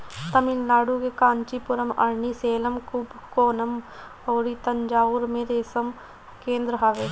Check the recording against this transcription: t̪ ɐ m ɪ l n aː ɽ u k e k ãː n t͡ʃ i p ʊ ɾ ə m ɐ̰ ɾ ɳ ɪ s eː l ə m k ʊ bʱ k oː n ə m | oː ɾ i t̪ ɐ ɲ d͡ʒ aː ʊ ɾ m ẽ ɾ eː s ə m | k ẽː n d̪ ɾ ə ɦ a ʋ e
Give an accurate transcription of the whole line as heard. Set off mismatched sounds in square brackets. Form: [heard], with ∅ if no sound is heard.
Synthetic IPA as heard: t̪ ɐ m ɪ l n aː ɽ u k e k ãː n t͡ʃ i p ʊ ɾ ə m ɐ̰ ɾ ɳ [i] s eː l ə m k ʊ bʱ k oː n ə m | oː ɾ i t̪ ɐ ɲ d͡ʒ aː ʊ ɾ m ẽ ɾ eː s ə m | k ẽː n d̪ ɾ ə ɦ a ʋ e